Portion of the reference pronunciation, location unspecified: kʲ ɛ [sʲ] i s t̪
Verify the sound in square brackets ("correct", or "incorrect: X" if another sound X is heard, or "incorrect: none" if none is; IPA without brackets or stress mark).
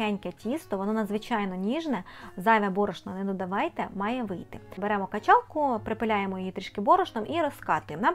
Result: incorrect: tʲ